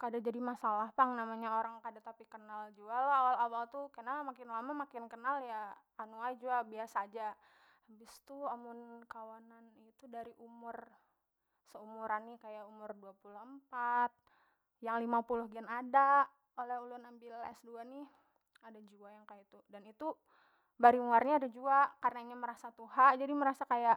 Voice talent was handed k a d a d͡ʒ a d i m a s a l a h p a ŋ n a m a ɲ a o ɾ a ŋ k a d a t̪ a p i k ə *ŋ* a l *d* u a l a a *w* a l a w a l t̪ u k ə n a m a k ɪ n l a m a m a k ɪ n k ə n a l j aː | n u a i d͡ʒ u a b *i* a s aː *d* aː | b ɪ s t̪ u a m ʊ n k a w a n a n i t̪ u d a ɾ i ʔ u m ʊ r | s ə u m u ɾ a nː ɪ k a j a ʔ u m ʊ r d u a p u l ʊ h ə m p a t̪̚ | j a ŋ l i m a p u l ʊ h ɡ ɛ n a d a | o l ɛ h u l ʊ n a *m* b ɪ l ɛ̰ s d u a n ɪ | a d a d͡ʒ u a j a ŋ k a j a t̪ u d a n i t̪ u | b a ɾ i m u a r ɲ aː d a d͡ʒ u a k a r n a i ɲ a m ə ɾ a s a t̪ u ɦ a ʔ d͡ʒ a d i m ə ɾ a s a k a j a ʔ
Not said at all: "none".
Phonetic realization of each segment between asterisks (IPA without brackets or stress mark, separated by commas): n, d͡ʒ, w, i, d͡ʒ, m